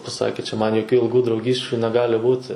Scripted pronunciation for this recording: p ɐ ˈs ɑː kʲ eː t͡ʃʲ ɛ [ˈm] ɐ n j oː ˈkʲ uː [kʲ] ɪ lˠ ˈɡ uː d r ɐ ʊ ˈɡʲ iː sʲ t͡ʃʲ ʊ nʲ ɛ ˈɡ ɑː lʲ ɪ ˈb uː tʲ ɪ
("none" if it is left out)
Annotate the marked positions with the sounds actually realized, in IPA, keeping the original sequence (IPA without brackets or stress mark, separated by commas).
m, none